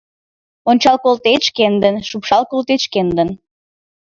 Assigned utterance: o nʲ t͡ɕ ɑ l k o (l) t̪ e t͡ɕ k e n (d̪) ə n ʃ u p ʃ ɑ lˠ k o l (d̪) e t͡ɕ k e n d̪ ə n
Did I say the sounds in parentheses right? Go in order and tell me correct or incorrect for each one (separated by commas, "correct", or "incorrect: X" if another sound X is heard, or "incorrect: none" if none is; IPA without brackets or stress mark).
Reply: correct, correct, incorrect: t̪